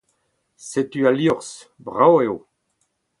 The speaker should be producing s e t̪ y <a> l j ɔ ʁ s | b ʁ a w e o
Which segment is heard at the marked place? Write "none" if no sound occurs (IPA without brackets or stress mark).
a